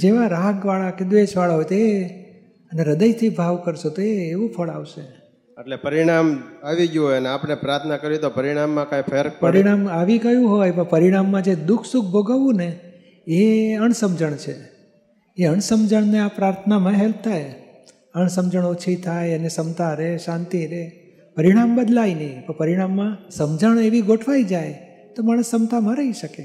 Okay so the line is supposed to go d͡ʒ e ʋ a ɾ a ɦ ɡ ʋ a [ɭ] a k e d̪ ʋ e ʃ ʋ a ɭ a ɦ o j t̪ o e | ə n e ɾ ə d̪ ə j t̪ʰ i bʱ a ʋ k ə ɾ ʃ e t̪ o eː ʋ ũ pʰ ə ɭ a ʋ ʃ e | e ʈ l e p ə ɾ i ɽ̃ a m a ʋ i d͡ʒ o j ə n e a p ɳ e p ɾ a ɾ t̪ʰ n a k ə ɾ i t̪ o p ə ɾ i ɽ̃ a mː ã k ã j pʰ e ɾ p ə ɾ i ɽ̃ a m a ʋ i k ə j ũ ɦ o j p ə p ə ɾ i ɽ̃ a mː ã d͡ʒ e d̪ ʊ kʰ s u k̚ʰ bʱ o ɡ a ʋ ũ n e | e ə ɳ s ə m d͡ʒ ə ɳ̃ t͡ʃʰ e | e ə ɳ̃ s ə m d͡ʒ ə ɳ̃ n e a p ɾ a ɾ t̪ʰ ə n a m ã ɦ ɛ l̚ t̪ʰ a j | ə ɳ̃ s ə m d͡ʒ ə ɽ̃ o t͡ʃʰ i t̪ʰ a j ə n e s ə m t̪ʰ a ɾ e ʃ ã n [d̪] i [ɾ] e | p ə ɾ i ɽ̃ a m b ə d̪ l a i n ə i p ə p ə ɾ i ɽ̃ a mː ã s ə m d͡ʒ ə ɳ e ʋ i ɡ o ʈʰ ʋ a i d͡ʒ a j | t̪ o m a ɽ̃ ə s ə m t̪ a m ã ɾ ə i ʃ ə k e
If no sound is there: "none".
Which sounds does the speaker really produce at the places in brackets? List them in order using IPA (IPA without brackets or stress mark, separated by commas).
ɭ, t̪, ɾ